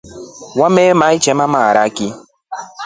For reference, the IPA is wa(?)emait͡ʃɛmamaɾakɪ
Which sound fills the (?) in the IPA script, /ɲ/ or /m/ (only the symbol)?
m